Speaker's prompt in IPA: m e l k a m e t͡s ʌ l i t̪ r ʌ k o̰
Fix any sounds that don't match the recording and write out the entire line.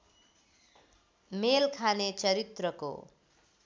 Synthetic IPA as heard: m e l kʰ a n e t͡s ʌ ɾ i t̪ r ʌ k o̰